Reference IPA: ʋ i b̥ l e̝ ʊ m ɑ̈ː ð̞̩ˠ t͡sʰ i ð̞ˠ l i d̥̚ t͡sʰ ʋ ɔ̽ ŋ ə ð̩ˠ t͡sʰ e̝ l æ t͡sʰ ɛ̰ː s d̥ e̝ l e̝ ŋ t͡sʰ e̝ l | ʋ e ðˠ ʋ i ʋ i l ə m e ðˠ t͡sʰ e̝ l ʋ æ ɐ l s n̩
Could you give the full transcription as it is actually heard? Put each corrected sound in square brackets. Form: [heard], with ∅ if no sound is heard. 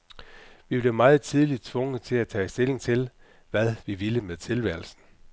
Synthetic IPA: ʋ i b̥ l e̝ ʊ m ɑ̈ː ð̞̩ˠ t͡sʰ i ð̞ˠ l i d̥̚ t͡sʰ ʋ ɔ̽ ŋ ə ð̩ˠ t͡sʰ e̝ l æ t͡sʰ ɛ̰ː s d̥ e̝ l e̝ ŋ t͡sʰ e̝ l | ʋ [æ] ðˠ ʋ i ʋ i l ə m e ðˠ t͡sʰ e̝ l ʋ æ ɐ l s n̩